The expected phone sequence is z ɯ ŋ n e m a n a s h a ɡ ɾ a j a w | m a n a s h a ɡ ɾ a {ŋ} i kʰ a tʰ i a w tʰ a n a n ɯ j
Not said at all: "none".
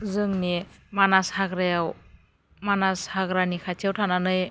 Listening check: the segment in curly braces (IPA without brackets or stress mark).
n